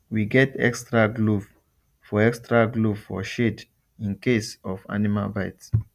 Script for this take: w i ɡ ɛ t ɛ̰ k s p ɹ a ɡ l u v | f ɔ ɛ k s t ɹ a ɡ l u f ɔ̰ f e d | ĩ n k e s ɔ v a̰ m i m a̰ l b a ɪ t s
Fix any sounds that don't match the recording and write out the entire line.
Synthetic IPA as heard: w i ɡ ɛ t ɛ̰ k s t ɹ a ɡ l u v | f ɔ ɛ k s t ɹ a ɡ l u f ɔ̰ ʃ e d | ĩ n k e s ɔ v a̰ n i m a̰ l b a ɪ t s